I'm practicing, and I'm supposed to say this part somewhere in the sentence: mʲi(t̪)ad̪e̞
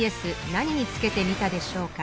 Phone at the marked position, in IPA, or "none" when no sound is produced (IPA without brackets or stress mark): t̪